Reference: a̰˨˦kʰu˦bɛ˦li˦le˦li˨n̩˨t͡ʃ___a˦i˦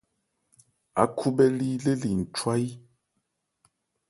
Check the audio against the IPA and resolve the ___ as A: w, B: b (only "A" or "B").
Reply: A